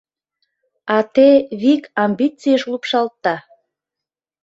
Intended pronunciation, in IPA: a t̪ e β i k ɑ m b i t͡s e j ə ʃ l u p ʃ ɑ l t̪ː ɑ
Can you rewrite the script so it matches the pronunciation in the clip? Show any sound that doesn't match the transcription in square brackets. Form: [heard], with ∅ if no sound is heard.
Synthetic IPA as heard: [ɑ] t̪ e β i k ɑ m b i t͡s [i] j ə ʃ l u p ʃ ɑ l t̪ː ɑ

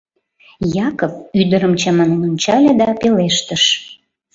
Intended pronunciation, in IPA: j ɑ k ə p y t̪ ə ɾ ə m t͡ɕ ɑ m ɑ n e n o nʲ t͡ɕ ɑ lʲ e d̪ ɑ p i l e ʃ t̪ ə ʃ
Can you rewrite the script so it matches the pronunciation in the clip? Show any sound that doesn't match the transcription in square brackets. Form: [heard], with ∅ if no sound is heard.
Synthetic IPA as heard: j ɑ k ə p y [d̪] ə ɾ ə m t͡ɕ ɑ m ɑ n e n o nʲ t͡ɕ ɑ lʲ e d̪ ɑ p [e] l e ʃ t̪ ə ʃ

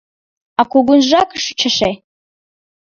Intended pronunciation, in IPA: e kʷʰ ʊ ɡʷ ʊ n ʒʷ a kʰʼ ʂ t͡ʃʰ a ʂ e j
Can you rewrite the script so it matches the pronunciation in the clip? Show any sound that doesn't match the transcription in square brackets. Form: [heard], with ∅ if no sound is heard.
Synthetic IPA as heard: [a] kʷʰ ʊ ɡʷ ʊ n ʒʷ a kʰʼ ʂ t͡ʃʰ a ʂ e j

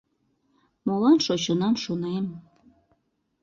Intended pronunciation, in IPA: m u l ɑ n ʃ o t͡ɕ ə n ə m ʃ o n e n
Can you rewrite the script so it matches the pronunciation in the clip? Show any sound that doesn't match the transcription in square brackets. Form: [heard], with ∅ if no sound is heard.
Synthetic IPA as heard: m [o] l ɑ n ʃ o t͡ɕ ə n [ɑ] m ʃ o n e [m]

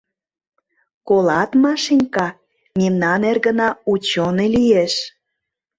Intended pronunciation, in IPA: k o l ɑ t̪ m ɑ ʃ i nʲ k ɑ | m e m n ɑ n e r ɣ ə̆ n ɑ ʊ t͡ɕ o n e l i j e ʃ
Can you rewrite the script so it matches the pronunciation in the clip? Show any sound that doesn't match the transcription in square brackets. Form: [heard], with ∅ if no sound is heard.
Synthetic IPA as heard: k o l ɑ t̪ m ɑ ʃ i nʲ k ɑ | m e m n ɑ n e r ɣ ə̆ n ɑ [u] t͡ɕ o n e l i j e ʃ

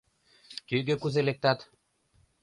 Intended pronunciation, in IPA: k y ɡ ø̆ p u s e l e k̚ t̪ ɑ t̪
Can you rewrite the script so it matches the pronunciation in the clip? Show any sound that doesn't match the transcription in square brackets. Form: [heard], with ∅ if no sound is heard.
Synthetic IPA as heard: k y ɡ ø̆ [k] u [z] e l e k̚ t̪ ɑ t̪

